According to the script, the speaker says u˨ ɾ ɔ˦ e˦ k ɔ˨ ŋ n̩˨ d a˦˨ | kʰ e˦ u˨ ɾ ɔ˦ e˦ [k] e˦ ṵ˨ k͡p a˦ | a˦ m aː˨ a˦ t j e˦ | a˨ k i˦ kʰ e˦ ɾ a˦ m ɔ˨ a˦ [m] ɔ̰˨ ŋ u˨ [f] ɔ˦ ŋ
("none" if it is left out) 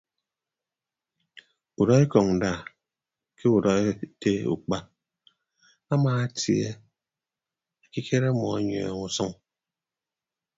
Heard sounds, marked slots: t, ɲ, s

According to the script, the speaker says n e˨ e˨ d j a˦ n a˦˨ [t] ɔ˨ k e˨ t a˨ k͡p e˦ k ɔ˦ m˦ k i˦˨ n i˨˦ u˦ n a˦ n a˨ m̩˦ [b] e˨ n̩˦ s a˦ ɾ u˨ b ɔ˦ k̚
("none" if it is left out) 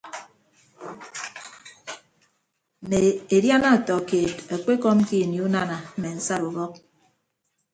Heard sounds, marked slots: t, m

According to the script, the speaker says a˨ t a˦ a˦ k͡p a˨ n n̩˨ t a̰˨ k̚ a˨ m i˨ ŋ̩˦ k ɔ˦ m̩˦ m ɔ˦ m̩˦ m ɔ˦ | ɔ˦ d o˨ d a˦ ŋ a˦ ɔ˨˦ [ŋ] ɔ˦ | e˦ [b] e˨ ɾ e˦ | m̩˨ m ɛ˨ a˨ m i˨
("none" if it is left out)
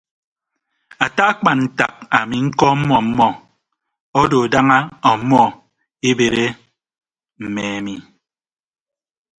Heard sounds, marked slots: m, b

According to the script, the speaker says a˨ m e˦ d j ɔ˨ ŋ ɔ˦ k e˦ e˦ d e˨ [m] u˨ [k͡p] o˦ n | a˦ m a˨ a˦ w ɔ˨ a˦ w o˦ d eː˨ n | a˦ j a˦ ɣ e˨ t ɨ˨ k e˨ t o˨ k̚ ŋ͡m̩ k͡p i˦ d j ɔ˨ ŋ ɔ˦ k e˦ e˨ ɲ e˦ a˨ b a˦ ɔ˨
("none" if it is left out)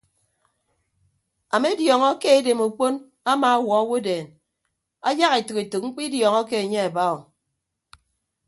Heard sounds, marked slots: m, k͡p

